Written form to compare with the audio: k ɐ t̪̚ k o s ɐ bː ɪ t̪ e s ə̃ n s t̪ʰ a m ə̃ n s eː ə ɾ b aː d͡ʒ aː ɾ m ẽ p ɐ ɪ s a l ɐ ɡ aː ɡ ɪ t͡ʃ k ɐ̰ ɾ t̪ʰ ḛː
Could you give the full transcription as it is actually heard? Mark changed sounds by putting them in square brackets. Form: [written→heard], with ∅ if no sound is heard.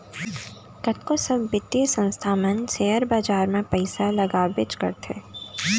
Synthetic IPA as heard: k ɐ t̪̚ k o s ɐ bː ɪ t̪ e s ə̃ n s t̪ʰ a m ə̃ n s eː ə ɾ b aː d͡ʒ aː ɾ m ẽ p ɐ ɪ s a l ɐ ɡ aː [ɡ→b] ɪ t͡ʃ k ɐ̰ ɾ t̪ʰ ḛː

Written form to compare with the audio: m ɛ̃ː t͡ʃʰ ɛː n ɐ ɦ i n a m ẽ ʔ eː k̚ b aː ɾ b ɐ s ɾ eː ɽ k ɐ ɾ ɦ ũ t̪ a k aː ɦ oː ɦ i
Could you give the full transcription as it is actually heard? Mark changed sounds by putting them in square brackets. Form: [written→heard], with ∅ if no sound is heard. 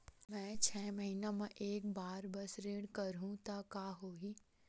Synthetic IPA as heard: m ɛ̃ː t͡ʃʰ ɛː [n→m] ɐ ɦ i n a m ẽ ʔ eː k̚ b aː ɾ b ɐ s ɾ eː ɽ k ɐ ɾ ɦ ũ t̪ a k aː ɦ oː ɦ i

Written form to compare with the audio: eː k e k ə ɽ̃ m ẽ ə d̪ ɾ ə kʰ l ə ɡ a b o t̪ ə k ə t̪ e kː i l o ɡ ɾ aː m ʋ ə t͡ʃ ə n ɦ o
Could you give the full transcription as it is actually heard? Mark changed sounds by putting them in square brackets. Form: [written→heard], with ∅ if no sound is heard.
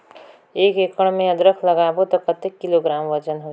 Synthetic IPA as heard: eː k e k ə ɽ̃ m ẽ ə d̪ ɾ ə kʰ l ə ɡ a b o t̪ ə k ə t̪ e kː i l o ɡ ɾ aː m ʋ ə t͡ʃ ə n ɦ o

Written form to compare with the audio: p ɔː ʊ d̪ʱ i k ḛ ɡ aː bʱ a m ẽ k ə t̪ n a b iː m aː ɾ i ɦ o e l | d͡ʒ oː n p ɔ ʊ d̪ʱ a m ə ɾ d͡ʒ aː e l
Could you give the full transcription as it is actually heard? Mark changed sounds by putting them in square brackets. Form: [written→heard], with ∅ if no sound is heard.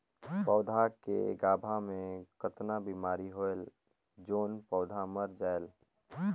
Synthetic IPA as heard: p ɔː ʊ d̪ʱ [i→a] k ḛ ɡ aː bʱ a m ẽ k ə t̪ n a b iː m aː ɾ i ɦ o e l | d͡ʒ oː n p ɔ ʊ d̪ʱ a m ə ɾ d͡ʒ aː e l

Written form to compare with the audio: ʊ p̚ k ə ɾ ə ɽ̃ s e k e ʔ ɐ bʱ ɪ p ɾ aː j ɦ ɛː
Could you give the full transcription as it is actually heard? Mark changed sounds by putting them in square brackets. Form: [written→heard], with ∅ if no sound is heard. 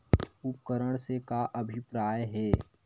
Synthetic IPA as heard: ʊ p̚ k ə ɾ ə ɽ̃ s e k [e→a] ʔ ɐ bʱ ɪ p ɾ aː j ɦ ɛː

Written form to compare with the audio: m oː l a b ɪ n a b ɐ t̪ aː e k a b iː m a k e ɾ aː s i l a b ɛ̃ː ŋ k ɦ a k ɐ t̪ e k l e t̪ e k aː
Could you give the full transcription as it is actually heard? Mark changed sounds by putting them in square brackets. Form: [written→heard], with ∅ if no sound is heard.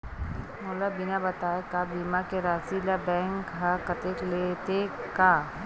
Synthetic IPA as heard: m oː l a b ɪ n a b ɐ t̪ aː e k a b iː m a k e ɾ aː s i l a b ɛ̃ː ŋ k ɦ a k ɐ t̪ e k l e t̪ e k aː

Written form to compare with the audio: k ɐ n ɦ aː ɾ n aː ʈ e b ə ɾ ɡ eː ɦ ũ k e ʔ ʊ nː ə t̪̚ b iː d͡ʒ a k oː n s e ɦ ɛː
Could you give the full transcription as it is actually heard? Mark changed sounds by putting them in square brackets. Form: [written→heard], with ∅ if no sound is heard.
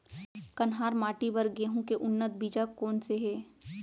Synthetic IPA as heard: k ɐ n ɦ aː ɾ [n→m] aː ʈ [e→i] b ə ɾ ɡ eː ɦ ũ k e ʔ ʊ nː ə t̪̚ b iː d͡ʒ a k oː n s e ɦ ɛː

